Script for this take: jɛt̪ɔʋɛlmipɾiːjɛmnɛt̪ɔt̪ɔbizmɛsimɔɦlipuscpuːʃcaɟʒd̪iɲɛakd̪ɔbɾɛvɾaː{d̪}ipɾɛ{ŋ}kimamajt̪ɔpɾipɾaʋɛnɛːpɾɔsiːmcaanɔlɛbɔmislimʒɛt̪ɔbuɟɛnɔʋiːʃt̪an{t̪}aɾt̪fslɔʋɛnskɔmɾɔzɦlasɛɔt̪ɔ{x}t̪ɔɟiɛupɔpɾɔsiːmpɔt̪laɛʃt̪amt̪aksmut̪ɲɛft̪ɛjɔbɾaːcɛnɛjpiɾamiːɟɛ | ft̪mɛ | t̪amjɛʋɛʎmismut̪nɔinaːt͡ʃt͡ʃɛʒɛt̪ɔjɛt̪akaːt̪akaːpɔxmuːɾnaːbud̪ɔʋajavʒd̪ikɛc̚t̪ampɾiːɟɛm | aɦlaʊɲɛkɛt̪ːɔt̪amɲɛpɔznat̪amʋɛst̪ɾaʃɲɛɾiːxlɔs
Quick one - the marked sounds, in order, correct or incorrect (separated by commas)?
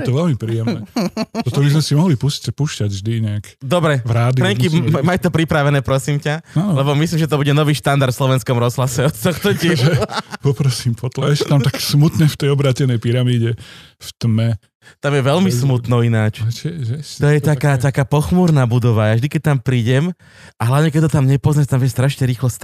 correct, incorrect, incorrect, correct